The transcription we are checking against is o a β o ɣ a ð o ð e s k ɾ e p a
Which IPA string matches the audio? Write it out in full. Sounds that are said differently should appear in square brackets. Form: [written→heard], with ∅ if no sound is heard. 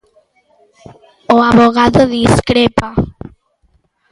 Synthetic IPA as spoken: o a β o ɣ a ð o ð [e→i] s k ɾ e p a

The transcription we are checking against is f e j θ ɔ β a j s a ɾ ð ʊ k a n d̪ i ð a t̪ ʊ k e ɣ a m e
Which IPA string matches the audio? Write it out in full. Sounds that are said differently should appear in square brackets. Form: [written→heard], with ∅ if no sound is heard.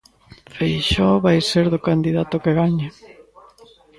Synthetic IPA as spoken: f e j [θ→ʃ] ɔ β a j s [a→e] ɾ ð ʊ k a n d̪ i ð a t̪ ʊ k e ɣ a [m→ɲ] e

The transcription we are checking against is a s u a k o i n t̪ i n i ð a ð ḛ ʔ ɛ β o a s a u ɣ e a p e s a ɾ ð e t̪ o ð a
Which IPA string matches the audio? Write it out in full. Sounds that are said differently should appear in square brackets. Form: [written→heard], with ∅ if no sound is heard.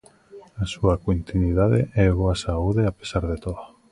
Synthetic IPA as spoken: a s u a k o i n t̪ i n i ð a ð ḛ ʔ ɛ β o a s a u [ɣ→ð] e a p e s a ɾ ð e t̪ o ð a

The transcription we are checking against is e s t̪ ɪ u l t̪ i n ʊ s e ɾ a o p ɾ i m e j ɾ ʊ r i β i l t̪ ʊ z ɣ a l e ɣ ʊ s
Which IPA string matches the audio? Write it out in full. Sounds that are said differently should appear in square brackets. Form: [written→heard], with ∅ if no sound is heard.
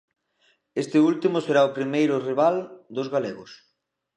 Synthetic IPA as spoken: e s t̪ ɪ u l t̪ i [n→m] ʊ s e ɾ a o p ɾ i m e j ɾ ʊ r i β [i→a] l [t̪→d̪] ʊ z ɣ a l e ɣ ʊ s

